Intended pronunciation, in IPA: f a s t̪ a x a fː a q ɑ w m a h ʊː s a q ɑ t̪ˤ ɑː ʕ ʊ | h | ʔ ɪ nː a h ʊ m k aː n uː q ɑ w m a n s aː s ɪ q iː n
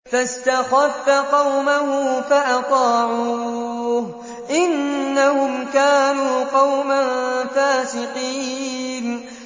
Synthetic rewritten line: f a s t̪ a x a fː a q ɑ w m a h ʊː f a ʔ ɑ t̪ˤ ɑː ʕ u | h | ʔ ɪ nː a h ʊ m k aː n uː q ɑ w m a n f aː s ɪ q iː n

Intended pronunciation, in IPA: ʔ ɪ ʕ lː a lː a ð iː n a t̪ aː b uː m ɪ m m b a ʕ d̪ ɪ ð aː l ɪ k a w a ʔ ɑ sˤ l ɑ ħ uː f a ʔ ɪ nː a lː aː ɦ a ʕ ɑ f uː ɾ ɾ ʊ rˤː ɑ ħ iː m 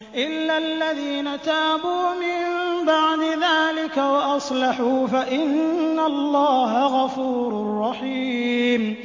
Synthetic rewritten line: ʔ ɪ lː a lː a ð iː n a t̪ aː b uː m ɪ m m b a ʕ d̪ ɪ ð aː l ɪ k a w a ʔ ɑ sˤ l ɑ ħ uː f a ʔ ɪ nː a lː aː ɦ a ɣ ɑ f uː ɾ ɾ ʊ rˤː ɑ ħ iː m

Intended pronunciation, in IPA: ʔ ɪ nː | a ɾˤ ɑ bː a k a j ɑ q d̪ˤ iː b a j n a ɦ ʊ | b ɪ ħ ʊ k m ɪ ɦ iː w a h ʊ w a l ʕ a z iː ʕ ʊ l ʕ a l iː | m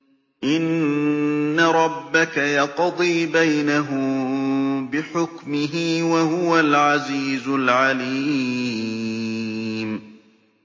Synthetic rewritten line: ʔ ɪ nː | a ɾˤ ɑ bː a k a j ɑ q d̪ˤ iː b a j n a ɦ ʊ | b ɪ ħ ʊ k m ɪ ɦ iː w a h ʊ w a l ʕ a z iː z ʊ l ʕ a l iː | m

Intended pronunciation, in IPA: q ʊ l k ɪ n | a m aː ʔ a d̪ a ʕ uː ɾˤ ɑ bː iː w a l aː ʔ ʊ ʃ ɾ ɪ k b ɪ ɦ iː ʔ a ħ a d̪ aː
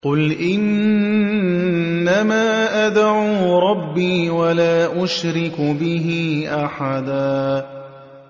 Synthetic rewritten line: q ʊ l ʔ ɪ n | a m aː ʔ a d̪ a ʕ uː ɾˤ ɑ bː iː w a l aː ʔ ʊ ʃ ɾ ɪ k b ɪ ɦ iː ʔ a ħ a d̪ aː

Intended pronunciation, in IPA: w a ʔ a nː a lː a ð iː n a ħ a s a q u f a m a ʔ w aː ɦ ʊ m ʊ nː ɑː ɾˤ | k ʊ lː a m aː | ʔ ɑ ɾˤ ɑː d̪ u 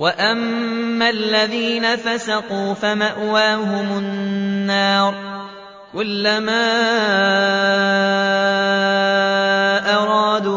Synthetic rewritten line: w a ʔ a mː a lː a ð iː n a f a s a q uː f a m a ʔ w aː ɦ ʊ m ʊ nː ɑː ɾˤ | k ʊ lː a m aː | ʔ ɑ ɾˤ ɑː d̪ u

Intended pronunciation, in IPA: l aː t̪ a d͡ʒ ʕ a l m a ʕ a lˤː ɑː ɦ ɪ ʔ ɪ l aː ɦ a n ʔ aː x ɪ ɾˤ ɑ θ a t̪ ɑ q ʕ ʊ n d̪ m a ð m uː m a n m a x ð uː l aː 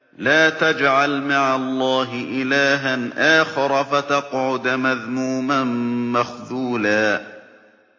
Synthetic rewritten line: l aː t̪ a d͡ʒ ʕ a l m a ʕ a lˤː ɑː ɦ ɪ ʔ ɪ l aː ɦ a n ʔ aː x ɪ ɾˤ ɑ f a t̪ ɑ q ʕ ʊ d̪ m a ð m uː m a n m a x ð uː l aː

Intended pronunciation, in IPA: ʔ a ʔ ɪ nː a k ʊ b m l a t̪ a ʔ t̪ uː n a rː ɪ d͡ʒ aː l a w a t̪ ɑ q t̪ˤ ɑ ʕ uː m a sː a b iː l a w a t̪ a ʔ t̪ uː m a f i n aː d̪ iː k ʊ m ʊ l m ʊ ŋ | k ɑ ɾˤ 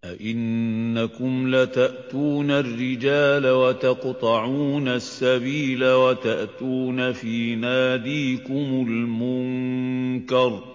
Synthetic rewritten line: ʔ a ʔ ɪ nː a k ʊ m l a t̪ a ʔ t̪ uː n a rː ɪ d͡ʒ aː l a w a t̪ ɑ q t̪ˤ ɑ ʕ uː n a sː a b iː l a w a t̪ a ʔ t̪ uː n a f iː n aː d̪ iː k ʊ m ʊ l m ʊ ŋ | k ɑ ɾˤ

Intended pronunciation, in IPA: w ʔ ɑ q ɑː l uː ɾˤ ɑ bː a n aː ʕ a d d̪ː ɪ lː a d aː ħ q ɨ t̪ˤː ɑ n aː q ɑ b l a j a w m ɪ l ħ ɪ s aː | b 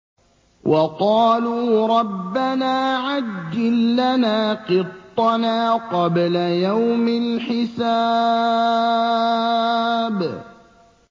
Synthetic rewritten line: w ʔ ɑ q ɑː l uː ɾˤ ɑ bː a n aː ʕ a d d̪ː ɪ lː a n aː q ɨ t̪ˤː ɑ n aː q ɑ b l a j a w m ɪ l ħ ɪ s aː | b

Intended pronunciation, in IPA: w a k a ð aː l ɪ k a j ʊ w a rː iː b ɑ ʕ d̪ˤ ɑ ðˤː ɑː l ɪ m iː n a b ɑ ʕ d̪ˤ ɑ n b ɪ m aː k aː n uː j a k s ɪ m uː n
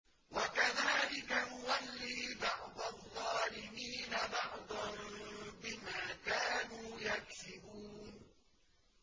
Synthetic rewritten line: w a k a ð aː l ɪ k a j ʊ w a lː iː b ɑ ʕ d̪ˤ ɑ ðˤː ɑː l ɪ m iː n a b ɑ ʕ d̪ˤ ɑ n b ɪ m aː k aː n uː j a k s ɪ b uː n

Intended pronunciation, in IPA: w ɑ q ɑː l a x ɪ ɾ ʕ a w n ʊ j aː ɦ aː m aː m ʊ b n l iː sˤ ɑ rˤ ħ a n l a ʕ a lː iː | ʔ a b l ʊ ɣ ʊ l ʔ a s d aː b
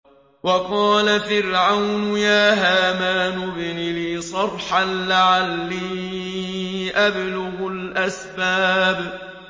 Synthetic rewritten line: w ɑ q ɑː l a f ɪ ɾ ʕ a w n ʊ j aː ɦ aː m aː n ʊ b n l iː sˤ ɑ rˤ ħ a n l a ʕ a lː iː | ʔ a b l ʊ ɣ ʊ l ʔ a s b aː b

